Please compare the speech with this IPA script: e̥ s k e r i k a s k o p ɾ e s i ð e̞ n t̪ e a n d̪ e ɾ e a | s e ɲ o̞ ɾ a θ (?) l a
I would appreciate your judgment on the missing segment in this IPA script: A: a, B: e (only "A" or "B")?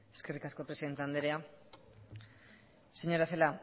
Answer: B